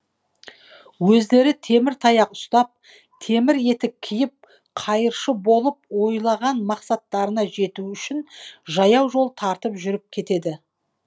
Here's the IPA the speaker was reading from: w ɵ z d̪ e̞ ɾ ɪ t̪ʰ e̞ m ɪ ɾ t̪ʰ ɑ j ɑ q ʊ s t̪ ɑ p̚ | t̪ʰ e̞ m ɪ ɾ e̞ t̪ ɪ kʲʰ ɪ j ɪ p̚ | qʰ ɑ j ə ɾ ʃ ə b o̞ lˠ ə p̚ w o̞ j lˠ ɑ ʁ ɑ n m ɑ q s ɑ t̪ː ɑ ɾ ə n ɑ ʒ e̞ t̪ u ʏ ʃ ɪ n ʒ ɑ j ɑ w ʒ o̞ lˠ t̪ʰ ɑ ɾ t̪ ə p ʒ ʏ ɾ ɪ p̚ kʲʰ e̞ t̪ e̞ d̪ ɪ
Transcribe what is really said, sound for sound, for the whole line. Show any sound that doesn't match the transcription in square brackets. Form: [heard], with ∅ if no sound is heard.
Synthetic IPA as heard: w ɵ z d̪ e̞ ɾ ɪ t̪ʰ e̞ m ɪ ɾ t̪ʰ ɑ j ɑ q ʊ s t̪ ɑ p̚ | t̪ʰ e̞ m ɪ ɾ e̞ t̪ ɪ kʲʰ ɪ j ɪ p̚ | qʰ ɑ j ə ɾ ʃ ə b o̞ lˠ ə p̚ w o̞ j lˠ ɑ ʁ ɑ n m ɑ q s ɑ t̪ː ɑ ɾ ə n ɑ ʒ e̞ t̪ u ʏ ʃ ɪ n ʒ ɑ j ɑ w ʒ o̞ lˠ t̪ʰ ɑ ɾ t̪ ə p ʒ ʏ ɾ ɪ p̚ kʲʰ e̞ t̪ e̞ d̪ ɪ